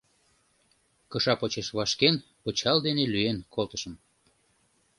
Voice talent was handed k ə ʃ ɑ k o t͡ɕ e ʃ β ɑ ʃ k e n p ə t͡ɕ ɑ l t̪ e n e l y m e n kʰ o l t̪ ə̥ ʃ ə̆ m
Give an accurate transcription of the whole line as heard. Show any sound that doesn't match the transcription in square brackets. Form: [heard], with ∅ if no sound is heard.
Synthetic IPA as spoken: k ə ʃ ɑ [p] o t͡ɕ e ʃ β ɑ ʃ k e n p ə t͡ɕ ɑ l [d̪] e n e l y [∅] e n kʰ o l t̪ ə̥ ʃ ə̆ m